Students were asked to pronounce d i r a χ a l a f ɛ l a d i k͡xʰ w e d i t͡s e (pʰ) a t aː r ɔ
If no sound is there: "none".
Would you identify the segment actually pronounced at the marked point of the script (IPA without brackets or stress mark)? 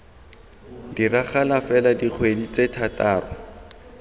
tʰ